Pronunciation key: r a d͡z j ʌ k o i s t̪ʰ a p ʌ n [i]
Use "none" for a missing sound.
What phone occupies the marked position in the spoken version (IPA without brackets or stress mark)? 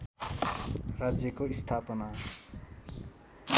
a